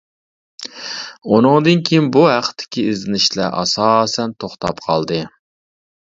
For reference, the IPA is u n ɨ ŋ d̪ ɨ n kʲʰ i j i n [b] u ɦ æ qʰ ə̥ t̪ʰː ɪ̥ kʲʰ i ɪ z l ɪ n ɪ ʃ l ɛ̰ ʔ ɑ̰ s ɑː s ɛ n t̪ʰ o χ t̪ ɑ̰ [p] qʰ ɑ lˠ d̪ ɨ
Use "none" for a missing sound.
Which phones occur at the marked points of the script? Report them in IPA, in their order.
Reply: b, p

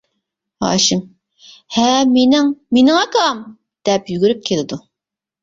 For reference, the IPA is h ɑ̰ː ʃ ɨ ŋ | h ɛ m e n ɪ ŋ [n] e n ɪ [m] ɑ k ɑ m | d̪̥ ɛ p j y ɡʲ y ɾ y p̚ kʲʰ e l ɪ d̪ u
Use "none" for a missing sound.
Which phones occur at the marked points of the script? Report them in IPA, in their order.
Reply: m, ŋ

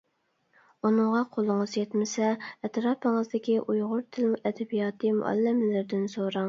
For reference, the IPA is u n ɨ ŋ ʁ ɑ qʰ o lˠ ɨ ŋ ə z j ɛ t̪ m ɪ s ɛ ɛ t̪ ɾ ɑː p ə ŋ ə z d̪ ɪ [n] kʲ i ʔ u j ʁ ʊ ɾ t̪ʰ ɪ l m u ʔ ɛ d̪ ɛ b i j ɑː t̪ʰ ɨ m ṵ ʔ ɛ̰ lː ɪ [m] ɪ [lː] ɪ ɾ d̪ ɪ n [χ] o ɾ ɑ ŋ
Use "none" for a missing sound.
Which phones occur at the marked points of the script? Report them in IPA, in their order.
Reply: none, m, l, s

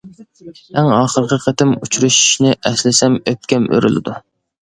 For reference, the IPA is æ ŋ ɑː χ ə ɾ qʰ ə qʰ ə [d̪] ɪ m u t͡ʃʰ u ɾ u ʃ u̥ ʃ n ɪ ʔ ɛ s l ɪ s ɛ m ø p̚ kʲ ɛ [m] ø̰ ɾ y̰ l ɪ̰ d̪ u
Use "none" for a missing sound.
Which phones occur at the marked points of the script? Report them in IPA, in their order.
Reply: t̪, m

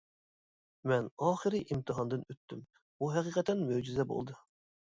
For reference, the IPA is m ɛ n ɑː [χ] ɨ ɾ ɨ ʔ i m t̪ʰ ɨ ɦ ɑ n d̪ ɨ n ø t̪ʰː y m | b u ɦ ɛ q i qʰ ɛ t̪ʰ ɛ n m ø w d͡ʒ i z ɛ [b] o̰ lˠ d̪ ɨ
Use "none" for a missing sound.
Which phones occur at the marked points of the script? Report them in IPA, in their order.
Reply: χ, b

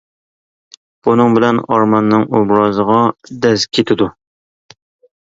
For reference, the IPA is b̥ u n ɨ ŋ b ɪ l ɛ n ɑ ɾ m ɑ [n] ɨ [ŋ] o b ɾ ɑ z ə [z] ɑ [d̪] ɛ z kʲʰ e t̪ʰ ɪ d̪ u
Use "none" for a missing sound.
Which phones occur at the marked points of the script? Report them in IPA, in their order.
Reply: nː, ŋ, ʁ, d̪

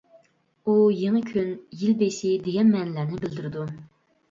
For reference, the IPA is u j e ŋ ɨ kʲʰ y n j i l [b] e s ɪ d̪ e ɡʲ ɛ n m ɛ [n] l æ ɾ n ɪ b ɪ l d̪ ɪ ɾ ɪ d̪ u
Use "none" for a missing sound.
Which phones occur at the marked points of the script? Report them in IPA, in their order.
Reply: b, n

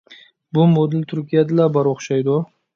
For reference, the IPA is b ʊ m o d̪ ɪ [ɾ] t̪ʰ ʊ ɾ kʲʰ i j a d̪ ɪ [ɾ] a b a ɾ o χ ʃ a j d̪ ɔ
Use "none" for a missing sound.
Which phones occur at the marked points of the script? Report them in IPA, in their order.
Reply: l, l

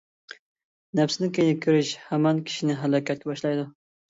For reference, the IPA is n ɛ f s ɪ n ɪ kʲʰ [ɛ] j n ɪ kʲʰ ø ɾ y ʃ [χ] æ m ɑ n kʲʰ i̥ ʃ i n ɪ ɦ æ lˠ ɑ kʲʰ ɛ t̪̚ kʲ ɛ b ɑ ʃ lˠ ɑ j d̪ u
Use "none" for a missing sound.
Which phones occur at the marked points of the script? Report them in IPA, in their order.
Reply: e, h

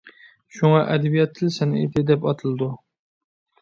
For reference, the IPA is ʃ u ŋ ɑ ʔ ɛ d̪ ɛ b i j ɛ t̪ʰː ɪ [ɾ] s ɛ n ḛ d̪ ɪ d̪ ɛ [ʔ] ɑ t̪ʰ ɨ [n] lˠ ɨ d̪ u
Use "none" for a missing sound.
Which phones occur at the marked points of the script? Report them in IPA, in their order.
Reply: l, p, none

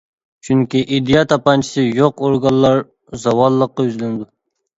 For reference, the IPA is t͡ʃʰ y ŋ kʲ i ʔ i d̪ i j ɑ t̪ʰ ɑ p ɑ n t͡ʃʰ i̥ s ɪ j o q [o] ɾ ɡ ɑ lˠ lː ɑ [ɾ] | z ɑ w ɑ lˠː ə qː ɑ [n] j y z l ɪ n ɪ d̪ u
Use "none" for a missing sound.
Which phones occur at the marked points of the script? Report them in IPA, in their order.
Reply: o, ɾ, none

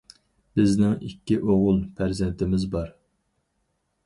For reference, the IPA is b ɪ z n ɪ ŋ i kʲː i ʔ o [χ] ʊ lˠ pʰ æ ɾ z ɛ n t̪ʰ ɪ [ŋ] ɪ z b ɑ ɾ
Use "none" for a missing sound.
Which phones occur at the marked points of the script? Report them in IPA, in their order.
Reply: ʁ, m

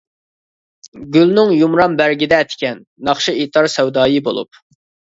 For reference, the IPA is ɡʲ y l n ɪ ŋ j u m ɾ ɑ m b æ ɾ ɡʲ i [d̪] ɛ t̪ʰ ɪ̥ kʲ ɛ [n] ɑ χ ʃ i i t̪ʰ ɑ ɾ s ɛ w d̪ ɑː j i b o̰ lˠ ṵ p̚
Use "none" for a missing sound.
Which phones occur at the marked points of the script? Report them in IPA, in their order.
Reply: d̪, nː

